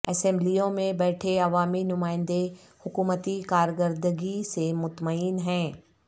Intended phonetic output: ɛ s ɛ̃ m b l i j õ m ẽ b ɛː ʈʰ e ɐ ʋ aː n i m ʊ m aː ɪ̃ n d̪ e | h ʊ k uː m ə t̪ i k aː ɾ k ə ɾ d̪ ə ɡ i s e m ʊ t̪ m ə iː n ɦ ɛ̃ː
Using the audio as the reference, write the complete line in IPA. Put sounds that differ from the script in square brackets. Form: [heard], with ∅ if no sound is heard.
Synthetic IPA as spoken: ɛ s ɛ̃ m b l i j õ m ẽ b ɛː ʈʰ e ɐ ʋ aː [m] i [n] ʊ m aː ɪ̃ n d̪ e | h ʊ k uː m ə t̪ i k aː ɾ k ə ɾ d̪ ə ɡ i s e m ʊ t̪ m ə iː n ɦ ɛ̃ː